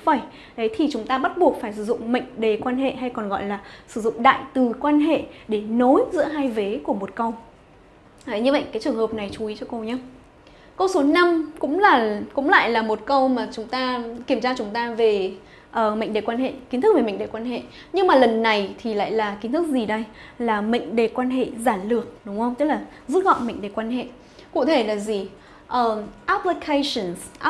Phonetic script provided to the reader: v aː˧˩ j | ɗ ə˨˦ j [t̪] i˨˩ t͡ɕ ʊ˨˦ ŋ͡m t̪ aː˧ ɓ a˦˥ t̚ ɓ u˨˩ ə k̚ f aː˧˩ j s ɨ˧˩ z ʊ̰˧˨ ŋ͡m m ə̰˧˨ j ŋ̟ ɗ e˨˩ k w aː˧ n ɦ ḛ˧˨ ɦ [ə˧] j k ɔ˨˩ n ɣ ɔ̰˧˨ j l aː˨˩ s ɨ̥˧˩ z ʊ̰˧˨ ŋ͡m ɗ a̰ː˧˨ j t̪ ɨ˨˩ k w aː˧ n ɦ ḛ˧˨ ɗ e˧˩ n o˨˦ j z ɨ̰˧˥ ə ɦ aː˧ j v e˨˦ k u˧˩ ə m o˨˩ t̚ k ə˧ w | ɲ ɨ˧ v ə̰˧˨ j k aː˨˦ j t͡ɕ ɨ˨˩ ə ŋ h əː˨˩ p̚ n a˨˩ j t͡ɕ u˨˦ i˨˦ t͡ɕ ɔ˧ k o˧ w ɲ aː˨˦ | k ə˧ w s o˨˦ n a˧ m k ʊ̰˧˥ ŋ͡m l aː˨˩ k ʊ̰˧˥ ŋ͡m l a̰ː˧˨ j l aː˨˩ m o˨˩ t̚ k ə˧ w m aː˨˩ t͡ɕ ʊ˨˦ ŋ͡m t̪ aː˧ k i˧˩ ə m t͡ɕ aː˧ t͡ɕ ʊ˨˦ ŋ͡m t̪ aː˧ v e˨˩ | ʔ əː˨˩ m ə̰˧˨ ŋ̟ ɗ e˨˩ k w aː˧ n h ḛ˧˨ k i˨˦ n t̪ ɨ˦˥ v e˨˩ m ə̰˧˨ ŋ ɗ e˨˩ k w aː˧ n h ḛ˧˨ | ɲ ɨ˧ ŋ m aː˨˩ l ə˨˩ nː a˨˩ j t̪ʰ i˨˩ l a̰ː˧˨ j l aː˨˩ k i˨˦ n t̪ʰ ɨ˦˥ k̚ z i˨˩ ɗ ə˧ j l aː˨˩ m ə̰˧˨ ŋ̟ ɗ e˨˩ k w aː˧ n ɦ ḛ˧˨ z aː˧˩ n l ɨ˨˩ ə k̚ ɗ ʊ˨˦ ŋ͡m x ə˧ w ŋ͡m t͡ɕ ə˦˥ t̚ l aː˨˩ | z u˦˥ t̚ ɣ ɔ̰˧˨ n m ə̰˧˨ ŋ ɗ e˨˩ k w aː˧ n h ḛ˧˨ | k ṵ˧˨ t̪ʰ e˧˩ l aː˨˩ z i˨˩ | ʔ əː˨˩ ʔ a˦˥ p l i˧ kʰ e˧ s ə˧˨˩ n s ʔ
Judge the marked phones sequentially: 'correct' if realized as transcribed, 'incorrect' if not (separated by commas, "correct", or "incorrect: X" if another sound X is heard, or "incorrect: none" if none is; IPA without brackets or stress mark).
incorrect: t̪ʰ, incorrect: a˧